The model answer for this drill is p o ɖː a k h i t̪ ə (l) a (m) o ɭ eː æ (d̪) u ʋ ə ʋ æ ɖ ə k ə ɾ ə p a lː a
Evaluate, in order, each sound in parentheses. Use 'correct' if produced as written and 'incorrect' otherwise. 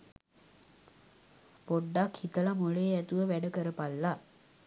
correct, correct, incorrect: t̪

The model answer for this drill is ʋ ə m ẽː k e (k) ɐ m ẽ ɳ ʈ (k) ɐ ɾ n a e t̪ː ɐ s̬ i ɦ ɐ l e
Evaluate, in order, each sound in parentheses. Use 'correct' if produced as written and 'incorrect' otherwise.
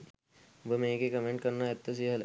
correct, correct

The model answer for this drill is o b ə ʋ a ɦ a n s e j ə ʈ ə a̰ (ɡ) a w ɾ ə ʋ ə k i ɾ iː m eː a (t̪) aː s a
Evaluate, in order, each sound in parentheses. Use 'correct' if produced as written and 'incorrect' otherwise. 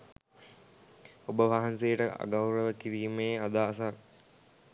correct, incorrect: d̪

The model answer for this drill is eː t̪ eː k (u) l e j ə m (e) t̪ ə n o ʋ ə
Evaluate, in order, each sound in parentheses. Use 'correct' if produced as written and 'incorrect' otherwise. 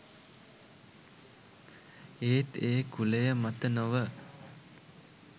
correct, incorrect: a

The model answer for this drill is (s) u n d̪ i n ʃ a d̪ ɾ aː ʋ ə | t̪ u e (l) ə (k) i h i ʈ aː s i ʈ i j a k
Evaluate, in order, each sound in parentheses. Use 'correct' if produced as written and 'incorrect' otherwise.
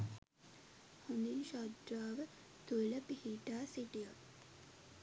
incorrect: h, correct, incorrect: p

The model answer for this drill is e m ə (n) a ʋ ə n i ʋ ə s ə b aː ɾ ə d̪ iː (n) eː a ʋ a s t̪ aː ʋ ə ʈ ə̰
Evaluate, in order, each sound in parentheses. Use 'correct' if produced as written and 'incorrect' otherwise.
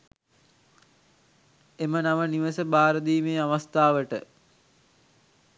correct, incorrect: m

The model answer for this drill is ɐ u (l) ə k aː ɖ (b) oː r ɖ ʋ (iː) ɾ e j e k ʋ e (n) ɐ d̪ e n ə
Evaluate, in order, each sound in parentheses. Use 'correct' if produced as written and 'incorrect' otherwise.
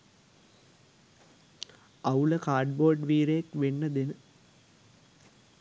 correct, correct, correct, incorrect: nː

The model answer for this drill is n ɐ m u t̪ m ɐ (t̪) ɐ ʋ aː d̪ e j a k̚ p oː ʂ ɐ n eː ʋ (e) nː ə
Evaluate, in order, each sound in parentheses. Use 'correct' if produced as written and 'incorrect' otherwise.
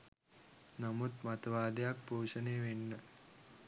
correct, correct

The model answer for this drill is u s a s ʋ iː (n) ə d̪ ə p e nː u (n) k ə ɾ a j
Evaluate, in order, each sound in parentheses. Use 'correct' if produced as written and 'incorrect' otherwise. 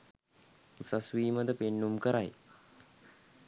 incorrect: m, incorrect: m

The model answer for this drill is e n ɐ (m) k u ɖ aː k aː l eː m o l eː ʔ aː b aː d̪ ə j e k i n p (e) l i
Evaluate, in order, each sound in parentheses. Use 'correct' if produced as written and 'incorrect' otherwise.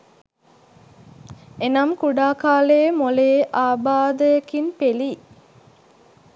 correct, correct

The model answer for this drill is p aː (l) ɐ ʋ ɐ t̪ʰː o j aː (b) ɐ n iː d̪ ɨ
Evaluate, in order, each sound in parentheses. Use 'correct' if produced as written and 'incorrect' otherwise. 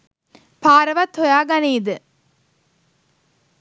incorrect: ɾ, incorrect: ɡ

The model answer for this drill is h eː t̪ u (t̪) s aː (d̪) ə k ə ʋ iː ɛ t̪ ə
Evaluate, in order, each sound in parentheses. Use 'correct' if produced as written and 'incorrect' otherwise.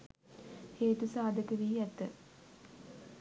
incorrect: none, correct

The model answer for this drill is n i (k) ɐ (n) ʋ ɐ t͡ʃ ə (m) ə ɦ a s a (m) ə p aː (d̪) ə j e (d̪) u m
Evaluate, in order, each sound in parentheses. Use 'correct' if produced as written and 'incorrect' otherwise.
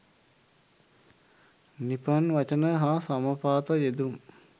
incorrect: p, correct, incorrect: n, correct, incorrect: t̪, correct

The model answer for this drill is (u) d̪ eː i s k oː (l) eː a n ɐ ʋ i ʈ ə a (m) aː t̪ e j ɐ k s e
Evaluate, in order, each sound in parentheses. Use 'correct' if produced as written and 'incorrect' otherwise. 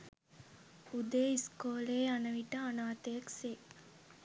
correct, correct, incorrect: n

